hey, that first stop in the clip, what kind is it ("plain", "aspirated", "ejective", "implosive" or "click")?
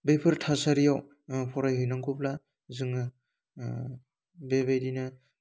plain